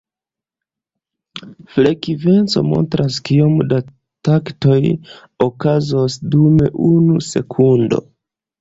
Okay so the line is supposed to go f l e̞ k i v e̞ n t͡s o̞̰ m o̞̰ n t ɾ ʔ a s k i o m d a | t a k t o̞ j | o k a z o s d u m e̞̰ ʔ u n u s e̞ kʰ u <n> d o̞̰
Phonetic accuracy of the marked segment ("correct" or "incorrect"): correct